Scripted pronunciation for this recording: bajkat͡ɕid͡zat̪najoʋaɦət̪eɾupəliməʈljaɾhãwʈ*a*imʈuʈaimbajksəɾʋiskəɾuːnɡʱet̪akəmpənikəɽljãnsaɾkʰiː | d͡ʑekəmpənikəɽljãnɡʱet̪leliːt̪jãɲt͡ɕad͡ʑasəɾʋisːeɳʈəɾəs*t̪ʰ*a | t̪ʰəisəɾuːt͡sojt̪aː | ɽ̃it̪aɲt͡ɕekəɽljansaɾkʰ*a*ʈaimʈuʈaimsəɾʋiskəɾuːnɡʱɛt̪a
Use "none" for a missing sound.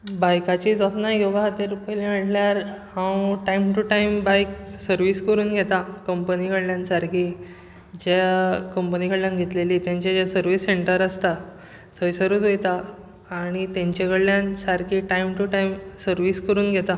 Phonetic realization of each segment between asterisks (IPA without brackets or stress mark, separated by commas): a, t̪, i